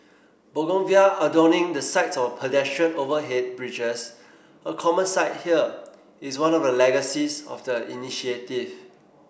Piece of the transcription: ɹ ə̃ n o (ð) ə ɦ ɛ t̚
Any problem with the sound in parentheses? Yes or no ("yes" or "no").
yes